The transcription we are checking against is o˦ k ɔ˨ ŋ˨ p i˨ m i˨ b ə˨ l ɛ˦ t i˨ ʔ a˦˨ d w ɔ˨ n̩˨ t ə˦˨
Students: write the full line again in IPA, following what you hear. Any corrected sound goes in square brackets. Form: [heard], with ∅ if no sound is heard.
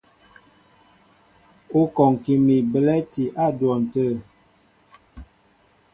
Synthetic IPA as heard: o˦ k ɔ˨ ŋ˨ [k] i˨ m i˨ b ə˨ l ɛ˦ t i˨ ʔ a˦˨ d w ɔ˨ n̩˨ t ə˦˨

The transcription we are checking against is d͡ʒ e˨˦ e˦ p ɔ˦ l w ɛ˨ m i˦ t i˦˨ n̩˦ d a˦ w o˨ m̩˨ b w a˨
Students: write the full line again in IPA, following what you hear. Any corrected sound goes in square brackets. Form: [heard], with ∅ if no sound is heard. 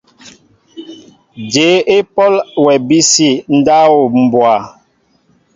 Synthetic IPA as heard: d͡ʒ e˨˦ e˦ p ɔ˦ l w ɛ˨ [b] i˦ [s] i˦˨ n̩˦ d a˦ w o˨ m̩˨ b w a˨

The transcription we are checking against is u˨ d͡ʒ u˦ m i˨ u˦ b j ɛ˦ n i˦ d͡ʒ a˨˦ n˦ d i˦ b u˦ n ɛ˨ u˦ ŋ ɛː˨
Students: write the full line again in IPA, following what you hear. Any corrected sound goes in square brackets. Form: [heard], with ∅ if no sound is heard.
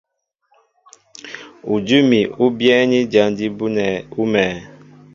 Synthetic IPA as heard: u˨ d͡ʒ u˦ m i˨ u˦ b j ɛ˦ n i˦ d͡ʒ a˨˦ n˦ d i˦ b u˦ n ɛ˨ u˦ [m] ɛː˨

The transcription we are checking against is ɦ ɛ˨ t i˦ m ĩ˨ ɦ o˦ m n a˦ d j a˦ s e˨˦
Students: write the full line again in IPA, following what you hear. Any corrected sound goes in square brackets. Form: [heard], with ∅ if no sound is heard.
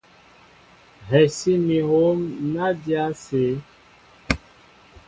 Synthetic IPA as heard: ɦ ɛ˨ [s] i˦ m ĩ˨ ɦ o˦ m n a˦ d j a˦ s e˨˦

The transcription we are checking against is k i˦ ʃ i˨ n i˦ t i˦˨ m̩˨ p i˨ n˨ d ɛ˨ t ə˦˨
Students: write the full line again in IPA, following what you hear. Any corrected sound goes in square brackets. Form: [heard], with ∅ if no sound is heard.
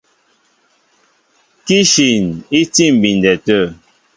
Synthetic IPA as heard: k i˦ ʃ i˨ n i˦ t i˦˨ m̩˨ [b] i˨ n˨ d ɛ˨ t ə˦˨

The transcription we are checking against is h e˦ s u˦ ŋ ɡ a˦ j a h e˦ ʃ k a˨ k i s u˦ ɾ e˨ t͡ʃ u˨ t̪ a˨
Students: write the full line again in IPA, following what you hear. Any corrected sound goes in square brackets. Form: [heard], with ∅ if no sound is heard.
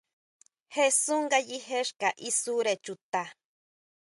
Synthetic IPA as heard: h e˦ s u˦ ŋ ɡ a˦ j [i] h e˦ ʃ k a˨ [ʔ] i s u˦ ɾ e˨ t͡ʃ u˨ t̪ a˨

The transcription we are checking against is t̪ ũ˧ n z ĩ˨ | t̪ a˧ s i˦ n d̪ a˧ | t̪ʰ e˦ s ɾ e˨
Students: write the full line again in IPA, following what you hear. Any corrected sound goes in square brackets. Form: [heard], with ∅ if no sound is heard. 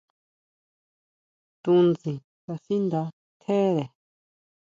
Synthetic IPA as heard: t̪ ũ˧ n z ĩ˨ | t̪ a˧ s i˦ n d̪ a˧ | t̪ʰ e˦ [∅] ɾ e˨

